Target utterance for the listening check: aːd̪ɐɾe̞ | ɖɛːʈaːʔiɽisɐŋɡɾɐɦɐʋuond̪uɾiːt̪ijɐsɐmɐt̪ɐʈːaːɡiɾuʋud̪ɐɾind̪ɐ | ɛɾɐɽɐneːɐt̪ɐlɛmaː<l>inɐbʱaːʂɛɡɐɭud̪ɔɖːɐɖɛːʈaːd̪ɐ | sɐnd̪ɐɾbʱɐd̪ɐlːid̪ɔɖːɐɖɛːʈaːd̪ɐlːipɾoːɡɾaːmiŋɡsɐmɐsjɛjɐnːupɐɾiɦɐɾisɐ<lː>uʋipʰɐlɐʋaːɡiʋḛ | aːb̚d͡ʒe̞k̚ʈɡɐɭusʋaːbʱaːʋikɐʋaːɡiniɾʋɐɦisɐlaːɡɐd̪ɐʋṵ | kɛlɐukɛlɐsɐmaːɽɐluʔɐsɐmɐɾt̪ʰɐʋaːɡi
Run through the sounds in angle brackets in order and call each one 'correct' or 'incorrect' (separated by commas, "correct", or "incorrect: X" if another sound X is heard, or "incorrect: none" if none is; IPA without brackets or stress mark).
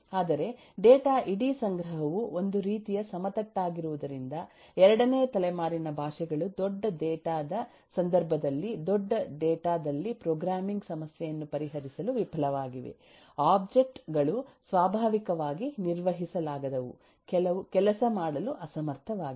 incorrect: ɾ, incorrect: l